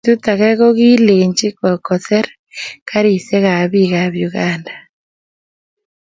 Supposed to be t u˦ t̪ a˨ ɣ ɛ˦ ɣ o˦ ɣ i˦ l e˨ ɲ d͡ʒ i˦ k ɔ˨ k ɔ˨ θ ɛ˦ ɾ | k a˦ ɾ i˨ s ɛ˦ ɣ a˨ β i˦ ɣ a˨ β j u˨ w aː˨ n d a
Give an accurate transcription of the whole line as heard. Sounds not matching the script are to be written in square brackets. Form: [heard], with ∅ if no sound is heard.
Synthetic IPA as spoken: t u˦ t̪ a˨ ɣ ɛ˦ ɣ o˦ ɣ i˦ l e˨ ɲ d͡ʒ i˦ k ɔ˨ k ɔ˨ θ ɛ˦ ɾ | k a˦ ɾ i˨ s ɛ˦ ɣ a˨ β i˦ ɣ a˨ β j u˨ [ɣ] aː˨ n d a